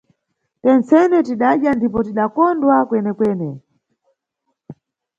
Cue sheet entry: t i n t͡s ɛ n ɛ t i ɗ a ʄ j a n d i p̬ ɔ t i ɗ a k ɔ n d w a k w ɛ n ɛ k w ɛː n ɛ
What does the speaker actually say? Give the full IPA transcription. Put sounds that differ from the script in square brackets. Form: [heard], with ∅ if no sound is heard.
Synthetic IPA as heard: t [ɛ] n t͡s ɛ n ɛ t i ɗ a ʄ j a n d i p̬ ɔ t i ɗ a k ɔ n d w a k w ɛ n ɛ k w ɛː n ɛ